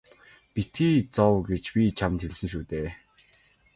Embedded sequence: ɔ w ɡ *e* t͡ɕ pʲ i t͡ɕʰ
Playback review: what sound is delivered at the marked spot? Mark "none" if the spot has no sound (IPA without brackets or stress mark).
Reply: e